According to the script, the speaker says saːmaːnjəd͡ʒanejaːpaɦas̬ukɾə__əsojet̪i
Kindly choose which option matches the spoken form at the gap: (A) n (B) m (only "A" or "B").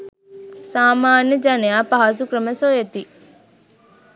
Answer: B